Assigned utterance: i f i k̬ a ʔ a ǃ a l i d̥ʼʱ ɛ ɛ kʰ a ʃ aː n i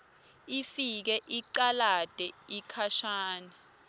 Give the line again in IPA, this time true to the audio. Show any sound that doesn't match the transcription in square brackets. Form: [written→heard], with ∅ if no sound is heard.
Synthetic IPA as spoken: i f i k̬ [a→ɛ] ʔ [a→i] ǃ a l [i→a] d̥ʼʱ ɛ [ɛ→i] kʰ a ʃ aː n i

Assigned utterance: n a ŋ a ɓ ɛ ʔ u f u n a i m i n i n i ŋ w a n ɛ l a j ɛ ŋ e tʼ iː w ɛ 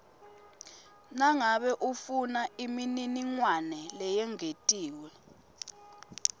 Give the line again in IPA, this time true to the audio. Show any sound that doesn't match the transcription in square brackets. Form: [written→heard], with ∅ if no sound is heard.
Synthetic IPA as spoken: n a ŋ a ɓ ɛ ʔ u f u n a i m i n i n i ŋ w a n ɛ l [a→ɛ] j ɛ ŋ e tʼ iː w ɛ

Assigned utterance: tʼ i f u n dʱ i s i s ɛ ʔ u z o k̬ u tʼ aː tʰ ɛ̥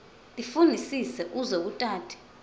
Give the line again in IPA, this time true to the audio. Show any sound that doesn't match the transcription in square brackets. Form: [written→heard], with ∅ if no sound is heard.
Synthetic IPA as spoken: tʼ i f u n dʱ i s i s ɛ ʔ u z o k̬ u tʼ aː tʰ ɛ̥

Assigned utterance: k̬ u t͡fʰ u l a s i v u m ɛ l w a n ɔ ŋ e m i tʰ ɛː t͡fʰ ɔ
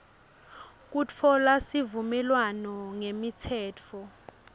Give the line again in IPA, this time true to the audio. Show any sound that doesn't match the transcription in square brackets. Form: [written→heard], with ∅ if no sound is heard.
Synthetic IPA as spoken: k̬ u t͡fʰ [u→ɔ] l a s i v u m ɛ l w a n ɔ ŋ e m i tʰ ɛː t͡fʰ ɔ

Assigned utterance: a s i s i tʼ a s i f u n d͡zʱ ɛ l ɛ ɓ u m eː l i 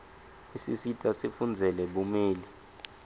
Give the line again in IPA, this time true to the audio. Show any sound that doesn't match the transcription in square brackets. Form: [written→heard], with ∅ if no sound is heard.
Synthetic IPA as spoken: [a→i] s i s i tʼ a s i f u n d͡zʱ ɛ l ɛ ɓ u m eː l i

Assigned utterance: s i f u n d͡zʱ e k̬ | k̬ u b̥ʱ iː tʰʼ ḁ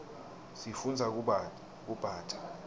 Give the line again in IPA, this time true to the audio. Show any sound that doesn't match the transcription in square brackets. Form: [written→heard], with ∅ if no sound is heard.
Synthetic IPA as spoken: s i f u n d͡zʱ [e→a] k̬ | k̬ u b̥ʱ [iː→aː] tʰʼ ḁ

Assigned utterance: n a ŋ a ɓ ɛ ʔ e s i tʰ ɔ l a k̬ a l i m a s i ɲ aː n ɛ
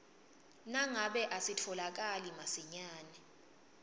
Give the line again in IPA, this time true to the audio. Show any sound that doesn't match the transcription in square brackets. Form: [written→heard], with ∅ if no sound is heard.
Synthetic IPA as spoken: n a ŋ a ɓ ɛ ʔ [e→a] s i tʰ ɔ l a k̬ a l i m a s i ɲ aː n ɛ

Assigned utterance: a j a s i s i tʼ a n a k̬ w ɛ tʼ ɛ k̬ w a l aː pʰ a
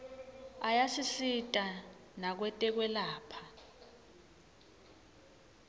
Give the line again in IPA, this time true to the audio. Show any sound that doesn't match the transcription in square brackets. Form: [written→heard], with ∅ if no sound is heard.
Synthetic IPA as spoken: a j a s i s i tʼ a n a k̬ w ɛ tʼ ɛ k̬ w [a→ɛ] l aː pʰ a

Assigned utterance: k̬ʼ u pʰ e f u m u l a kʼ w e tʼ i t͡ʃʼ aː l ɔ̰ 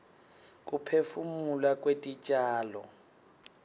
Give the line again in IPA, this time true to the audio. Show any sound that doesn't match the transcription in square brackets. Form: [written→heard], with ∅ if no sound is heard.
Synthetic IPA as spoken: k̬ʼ u pʰ e f u m u l a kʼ w e tʼ i t͡ʃʼ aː l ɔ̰

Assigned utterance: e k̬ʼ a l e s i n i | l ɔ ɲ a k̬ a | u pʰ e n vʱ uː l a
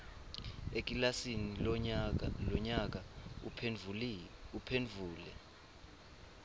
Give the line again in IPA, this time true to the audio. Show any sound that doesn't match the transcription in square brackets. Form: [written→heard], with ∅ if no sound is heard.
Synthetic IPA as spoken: e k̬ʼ [a→i] l [e→a] s i n i | l ɔ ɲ a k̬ a | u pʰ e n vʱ uː l [a→ɛ]

